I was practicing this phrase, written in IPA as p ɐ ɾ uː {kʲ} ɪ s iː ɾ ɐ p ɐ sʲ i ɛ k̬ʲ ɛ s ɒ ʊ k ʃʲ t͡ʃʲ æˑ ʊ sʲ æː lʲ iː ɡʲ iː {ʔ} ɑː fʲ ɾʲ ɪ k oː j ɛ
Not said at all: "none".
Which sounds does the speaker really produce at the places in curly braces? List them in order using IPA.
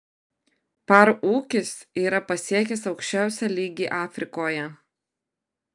kʲ, ʔ

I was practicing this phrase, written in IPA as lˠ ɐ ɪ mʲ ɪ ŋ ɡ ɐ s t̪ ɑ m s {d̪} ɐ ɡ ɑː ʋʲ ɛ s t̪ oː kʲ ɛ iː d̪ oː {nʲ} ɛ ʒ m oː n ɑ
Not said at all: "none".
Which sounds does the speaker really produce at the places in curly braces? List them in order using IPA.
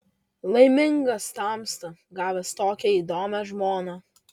t̪, mʲ

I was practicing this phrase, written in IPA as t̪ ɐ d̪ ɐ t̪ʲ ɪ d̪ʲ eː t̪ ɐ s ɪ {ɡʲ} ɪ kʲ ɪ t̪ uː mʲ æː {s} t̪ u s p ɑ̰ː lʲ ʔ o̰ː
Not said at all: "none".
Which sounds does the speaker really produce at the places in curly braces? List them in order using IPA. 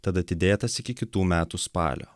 kʲ, none

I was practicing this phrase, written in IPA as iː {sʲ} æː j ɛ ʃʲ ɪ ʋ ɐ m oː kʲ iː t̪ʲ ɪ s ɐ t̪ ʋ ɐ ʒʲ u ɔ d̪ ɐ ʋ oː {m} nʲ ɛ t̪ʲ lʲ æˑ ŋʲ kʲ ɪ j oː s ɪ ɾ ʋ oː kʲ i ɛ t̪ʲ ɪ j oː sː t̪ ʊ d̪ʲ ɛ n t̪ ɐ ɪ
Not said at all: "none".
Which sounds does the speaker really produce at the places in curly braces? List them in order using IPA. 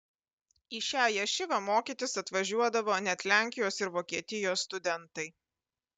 ʃʲ, none

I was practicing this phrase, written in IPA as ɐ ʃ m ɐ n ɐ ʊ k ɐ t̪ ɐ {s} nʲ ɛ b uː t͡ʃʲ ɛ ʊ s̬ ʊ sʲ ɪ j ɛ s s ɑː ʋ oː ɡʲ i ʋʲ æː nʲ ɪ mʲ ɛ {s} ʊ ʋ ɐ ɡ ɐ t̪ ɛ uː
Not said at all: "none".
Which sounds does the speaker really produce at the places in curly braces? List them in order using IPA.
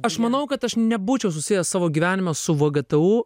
ʃ, s

